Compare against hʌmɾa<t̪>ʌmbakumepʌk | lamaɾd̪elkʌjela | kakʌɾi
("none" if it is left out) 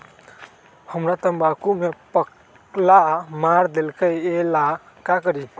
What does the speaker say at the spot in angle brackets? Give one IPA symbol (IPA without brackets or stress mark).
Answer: t̪